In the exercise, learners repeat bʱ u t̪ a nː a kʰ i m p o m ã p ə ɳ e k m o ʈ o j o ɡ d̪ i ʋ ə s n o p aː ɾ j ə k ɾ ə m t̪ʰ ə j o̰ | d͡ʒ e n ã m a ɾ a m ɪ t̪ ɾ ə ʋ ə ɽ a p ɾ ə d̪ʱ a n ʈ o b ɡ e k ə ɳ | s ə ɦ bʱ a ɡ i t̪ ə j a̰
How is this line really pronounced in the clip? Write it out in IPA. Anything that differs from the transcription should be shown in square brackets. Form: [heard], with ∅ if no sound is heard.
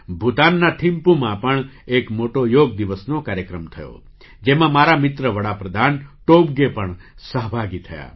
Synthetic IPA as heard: bʱ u t̪ a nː a [ʈʰ] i m p [u] m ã p ə ɳ e k m o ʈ o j o ɡ d̪ i ʋ ə s n o [k] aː ɾ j ə k ɾ ə m t̪ʰ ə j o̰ | d͡ʒ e [m] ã m a ɾ a m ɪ t̪ ɾ ə ʋ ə ɽ a p ɾ ə d̪ʱ a n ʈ o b ɡ e [p] ə ɳ | s ə ɦ bʱ a ɡ i [t̪ʰ] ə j a̰